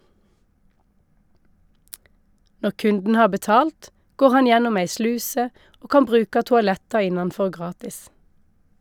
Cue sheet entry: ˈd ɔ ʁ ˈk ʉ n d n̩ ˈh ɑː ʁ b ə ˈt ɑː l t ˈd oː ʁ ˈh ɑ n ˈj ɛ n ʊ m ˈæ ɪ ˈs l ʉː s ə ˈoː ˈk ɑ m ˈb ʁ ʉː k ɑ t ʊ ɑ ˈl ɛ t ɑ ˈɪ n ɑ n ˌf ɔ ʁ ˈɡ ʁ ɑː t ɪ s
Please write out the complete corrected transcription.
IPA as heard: ˈn ɔ ʁ ˈk ʉ n d n̩ ˈh ɑː ʁ b ə ˈt ɑː l t ˈɡ oː ʁ ˈh ɑ n ˈj ɛ n ʊ m ˈæ ɪ ˈs l ʉː s ə ˈoː ˈk ɑ m ˈb ʁ ʉː k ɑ t ʊ ɑ ˈl ɛ t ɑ ˈɪ n ɑ n ˌf ɔ ʁ ˈɡ ʁ ɑː t ɪ s